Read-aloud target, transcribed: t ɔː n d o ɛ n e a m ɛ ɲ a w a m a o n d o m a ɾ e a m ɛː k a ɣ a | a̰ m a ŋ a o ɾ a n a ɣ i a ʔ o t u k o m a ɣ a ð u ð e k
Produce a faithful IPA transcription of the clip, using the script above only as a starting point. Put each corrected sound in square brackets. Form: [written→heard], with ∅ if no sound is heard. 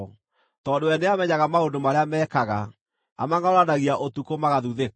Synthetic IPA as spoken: t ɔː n d o ɛ n e a m ɛ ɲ a [w→ɣ] a m a o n d o m a ɾ e a m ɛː k a ɣ a | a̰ m a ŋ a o ɾ a n a ɣ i a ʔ o t u k o m a ɣ a ð u ð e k

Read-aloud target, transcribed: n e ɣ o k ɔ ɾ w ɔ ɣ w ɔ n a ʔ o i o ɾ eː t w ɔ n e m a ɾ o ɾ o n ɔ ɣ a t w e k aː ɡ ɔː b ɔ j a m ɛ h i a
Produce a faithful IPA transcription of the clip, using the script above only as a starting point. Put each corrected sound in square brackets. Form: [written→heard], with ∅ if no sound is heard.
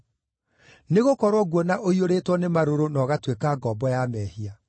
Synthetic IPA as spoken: n e ɣ o k ɔ ɾ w ɔ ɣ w ɔ n a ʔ o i o ɾ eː t w ɔ n e m a ɾ o ɾ o n ɔ ɣ a t w e k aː ɡ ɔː b ɔ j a m ɛ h i a

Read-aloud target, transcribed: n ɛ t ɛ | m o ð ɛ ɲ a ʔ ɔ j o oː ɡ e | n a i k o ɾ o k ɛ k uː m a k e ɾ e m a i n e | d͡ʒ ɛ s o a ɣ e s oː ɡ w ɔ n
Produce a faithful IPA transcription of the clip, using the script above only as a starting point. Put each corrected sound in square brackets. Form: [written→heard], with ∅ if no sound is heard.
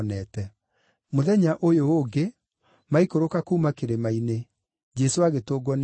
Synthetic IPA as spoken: n ɛ t ɛ | m o ð ɛ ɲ a ʔ [ɔ→o] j o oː ɡ e | [n→m] a i k o ɾ o k [ɛ→a] k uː m a k e ɾ e m a i n e | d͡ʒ ɛ s o a ɣ e [s→t] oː ɡ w ɔ n

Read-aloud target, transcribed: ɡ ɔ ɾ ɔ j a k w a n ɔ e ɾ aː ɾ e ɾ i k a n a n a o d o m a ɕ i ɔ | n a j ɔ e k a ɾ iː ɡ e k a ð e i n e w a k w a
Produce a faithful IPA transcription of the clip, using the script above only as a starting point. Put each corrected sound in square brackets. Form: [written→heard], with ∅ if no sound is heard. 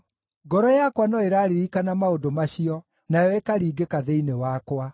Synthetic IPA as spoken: ɡ ɔ ɾ ɔ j a k w a n ɔ e ɾ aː ɾ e ɾ i k a n a [n→m] a o d o m a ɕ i ɔ | n a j ɔ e k a ɾ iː ɡ e k a ð e i n e w a k w a

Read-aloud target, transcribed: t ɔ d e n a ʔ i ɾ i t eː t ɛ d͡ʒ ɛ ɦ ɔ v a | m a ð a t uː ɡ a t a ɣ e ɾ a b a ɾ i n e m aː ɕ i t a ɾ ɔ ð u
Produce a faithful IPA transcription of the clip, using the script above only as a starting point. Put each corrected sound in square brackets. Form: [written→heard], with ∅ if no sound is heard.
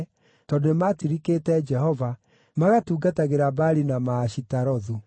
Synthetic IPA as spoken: t ɔ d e [n→m] a [ʔ→t] i ɾ i [t→k] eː t ɛ d͡ʒ ɛ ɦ ɔ v a | m a [ð→ɣ] a t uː ɡ a t a ɣ e ɾ a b a ɾ i n [e→a] m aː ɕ i t a ɾ ɔ ð u

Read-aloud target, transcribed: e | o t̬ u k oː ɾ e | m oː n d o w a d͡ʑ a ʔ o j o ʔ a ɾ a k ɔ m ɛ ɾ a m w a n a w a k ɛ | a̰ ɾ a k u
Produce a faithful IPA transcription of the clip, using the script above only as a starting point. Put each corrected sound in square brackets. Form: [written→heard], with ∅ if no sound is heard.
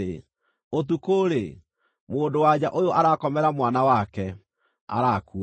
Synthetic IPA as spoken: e | o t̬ u k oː ɾ e | m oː n d o w a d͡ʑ a ʔ o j o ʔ a ɾ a k ɔ m ɛ ɾ a m w a n a w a k ɛ | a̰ ɾ a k u

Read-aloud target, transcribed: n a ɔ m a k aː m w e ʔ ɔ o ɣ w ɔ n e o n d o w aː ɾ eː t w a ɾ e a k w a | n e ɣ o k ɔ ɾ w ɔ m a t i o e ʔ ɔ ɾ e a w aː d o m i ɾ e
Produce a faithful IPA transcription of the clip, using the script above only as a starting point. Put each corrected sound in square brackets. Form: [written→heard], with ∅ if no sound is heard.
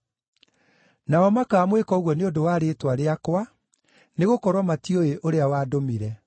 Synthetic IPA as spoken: n a ɔ m a k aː m w e [ʔ→k] ɔ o ɣ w ɔ n e o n d o w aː ɾ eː t w a ɾ e a k w a | n e ɣ o k ɔ ɾ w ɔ m a t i o e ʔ [ɔ→o] ɾ e a w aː d o m i ɾ [e→ɛ]

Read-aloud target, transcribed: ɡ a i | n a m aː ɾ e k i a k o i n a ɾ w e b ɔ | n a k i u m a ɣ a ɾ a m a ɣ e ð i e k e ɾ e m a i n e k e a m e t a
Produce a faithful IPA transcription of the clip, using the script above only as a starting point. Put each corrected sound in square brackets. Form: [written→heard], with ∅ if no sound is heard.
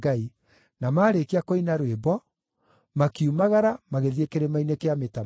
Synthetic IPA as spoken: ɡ a i | n a m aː ɾ e k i a k o i n a ɾ w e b ɔ | [n→m] a k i u m a ɣ a ɾ a m a ɣ e ð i e k e ɾ e m a i n e k e a m e t a

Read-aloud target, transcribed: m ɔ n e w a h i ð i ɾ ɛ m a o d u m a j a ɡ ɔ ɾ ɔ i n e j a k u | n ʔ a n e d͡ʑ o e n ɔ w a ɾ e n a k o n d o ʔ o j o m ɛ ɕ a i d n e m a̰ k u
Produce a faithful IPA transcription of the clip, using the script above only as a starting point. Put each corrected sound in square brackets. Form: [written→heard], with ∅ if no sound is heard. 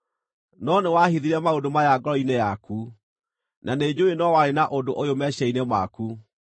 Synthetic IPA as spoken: [m→n] ɔ n e w a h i ð i ɾ ɛ m a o d [u→o] m a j a ɡ ɔ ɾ ɔ i n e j a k u | n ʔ a n e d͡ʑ o e n ɔ w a ɾ e n a [k→ʔ] o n d o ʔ o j o m ɛ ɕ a i [d→∅] n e m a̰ k u

